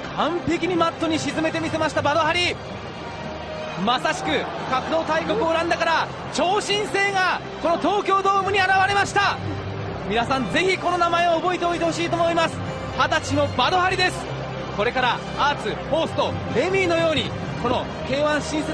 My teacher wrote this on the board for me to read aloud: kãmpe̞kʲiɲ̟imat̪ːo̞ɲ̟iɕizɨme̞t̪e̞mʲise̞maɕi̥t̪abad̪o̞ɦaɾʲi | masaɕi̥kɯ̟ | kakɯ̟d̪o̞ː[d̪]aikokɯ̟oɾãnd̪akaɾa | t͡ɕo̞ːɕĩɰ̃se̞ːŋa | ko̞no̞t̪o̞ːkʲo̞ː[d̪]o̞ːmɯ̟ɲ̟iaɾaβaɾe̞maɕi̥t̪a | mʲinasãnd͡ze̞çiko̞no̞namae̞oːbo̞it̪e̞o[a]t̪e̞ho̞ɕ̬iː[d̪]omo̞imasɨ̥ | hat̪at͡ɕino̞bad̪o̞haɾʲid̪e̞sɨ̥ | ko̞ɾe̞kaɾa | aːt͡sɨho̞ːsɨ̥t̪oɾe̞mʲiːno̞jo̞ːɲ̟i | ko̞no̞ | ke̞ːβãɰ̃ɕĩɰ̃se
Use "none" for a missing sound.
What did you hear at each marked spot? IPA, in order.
t̪, d̪, i, t̪

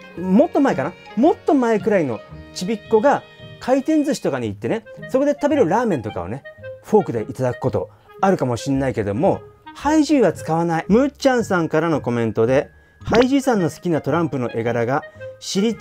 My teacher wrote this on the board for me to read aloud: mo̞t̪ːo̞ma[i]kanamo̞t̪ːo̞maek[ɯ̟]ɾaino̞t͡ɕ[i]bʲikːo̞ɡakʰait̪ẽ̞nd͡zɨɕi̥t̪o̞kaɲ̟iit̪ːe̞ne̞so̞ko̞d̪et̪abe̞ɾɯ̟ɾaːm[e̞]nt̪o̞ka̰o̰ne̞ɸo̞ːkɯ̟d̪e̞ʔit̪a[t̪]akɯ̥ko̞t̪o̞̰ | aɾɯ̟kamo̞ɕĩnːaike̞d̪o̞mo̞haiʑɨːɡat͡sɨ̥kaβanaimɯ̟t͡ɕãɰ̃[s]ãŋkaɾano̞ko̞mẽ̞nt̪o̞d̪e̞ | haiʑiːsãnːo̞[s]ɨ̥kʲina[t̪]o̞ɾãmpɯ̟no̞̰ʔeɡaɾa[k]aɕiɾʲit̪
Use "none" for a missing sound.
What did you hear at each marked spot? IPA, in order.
e, ɯ̟, i, ẽ̞, d̪, s, s, t̪, ɡ

